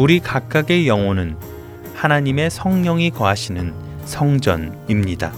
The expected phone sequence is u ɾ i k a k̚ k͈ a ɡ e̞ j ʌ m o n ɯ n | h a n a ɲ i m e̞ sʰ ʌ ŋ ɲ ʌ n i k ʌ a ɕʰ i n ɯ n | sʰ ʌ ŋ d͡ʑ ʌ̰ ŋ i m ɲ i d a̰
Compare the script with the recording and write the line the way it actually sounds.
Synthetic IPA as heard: u ɾ i k a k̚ k͈ a ɡ e̞ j ʌ ŋ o n ɯ n | h a n a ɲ i m e̞ sʰ ʌ ŋ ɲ ʌ ŋ i k ʌ a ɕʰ i n ɯ n | sʰ ʌ ŋ d͡ʑ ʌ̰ n i m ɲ i d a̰